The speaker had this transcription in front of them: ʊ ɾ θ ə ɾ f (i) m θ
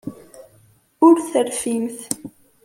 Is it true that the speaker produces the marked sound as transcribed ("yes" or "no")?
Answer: yes